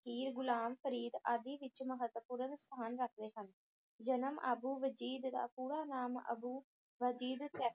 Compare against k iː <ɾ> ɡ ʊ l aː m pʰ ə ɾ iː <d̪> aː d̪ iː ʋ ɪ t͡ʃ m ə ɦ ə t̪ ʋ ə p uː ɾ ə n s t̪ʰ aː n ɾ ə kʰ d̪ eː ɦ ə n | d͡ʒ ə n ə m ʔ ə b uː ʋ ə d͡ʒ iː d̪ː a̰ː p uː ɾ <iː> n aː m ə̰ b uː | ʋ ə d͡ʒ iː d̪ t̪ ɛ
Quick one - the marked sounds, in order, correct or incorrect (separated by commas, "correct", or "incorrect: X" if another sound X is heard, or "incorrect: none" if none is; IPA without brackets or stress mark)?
correct, correct, incorrect: aː